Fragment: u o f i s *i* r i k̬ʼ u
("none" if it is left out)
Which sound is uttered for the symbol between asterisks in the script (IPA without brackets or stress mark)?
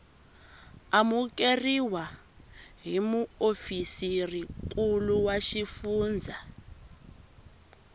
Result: i